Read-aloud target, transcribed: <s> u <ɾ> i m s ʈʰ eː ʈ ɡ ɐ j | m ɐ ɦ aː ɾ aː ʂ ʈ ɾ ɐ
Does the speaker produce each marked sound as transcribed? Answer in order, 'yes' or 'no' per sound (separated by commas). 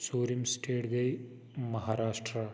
yes, yes